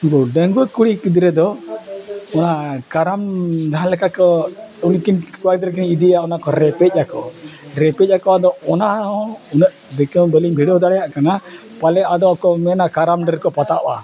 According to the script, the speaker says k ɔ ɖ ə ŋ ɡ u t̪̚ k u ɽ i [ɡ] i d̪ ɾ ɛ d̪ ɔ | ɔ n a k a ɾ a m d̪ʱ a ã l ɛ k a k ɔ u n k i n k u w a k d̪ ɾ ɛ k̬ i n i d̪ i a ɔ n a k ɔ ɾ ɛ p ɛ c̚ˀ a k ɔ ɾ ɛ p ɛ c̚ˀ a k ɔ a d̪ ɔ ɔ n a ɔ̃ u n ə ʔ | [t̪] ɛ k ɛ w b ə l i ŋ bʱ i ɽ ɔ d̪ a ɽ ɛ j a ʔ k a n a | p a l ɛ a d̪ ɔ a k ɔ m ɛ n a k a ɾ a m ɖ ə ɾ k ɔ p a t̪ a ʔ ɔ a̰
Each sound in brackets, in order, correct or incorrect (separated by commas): incorrect, incorrect